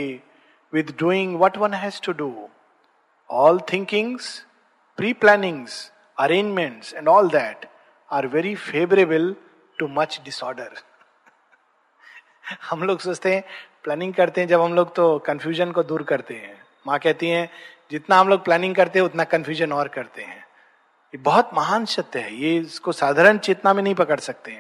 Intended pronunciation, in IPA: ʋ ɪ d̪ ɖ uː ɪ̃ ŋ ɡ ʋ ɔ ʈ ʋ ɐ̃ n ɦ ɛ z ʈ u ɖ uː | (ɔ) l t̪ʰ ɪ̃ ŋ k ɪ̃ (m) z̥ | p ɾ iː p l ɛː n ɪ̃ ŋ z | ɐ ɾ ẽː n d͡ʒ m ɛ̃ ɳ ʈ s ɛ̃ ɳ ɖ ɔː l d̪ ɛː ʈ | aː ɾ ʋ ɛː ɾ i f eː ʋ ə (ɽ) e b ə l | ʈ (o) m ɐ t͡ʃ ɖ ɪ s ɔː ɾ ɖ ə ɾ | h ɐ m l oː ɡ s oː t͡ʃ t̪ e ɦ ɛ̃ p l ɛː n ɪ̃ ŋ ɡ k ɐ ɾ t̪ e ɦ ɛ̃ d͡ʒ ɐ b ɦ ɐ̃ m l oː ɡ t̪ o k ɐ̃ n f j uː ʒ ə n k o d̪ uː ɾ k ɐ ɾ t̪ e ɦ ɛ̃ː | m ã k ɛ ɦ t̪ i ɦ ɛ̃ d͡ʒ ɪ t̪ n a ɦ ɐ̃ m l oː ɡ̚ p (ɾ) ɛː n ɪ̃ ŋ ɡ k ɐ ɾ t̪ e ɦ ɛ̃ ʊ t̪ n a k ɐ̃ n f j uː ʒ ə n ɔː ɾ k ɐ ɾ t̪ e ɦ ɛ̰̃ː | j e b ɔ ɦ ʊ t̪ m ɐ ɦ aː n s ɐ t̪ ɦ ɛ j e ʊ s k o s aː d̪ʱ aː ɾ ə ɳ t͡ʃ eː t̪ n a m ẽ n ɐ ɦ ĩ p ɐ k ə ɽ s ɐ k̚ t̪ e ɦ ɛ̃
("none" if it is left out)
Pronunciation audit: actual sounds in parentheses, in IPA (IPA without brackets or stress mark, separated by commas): ɔː, ŋ, ɾ, u, l